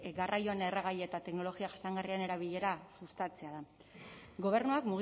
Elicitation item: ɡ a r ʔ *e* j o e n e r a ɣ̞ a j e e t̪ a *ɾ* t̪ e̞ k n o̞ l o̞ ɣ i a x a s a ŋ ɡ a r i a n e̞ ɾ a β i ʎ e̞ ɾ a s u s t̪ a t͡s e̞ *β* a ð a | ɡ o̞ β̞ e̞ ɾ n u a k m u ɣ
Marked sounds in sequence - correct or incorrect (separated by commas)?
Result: incorrect, incorrect, incorrect